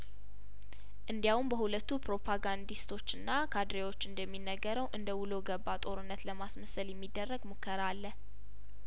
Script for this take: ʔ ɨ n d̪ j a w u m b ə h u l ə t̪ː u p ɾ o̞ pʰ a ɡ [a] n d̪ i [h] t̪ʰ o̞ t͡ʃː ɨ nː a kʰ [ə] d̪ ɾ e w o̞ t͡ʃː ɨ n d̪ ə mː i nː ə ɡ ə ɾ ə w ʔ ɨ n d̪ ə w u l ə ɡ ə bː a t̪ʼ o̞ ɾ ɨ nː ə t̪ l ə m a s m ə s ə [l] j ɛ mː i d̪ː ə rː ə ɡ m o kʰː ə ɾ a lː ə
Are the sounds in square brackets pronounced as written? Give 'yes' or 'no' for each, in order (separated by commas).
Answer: yes, no, no, yes